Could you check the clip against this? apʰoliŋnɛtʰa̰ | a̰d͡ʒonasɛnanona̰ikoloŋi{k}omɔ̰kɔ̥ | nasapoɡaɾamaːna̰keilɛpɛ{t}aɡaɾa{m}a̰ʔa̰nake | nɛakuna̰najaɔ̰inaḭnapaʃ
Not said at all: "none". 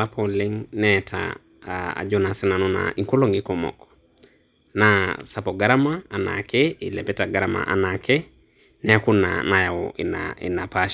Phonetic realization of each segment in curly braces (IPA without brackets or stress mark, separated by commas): k, t, m